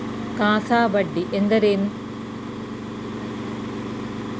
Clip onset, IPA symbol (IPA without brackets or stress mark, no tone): k